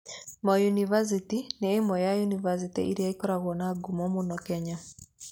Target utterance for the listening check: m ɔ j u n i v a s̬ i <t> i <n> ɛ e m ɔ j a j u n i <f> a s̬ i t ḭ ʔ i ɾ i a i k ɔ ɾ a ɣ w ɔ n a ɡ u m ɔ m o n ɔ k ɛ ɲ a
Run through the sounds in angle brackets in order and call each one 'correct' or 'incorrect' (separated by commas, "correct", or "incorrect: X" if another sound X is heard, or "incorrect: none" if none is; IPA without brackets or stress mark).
correct, correct, incorrect: v